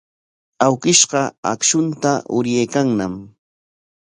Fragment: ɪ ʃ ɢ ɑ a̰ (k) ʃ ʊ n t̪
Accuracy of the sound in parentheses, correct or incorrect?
correct